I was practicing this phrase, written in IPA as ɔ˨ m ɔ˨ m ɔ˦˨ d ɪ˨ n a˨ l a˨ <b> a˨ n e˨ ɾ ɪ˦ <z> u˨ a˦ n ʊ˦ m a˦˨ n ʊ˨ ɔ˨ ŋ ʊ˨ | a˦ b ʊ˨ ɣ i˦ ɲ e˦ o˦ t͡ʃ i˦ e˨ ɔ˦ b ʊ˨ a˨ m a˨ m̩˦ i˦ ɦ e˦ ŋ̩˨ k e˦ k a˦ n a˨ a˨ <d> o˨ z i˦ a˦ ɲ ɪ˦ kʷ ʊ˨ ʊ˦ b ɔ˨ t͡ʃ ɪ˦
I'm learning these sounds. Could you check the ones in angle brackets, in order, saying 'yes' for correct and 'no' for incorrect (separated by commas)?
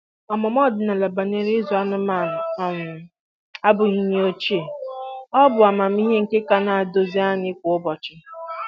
yes, yes, yes